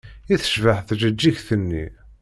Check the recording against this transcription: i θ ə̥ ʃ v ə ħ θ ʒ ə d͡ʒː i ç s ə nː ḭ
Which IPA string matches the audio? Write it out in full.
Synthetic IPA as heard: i θ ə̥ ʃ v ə ħ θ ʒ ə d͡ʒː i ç θ ə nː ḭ